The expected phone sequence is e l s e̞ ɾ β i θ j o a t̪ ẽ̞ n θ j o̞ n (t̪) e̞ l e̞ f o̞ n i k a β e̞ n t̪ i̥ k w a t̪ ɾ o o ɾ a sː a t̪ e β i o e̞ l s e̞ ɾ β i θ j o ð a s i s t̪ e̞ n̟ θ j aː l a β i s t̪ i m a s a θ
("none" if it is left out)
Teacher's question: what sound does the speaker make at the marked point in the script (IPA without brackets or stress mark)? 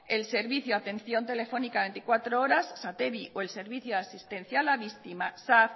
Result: t̪